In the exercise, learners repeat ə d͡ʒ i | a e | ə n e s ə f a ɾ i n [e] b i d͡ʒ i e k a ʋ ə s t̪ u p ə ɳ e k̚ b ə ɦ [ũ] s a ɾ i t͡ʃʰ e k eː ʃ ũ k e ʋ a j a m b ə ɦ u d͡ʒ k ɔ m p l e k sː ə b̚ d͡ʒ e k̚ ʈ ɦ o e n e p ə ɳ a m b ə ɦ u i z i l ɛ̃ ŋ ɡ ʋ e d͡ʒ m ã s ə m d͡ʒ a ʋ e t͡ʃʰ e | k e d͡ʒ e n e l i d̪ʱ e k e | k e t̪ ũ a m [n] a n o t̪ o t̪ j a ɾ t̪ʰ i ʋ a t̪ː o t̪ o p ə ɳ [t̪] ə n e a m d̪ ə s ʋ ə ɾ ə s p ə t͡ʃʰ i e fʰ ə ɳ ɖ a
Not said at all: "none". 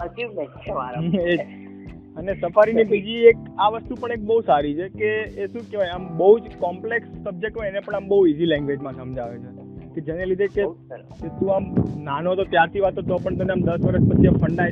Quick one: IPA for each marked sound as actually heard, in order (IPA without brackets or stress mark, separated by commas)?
i, u, n, t̪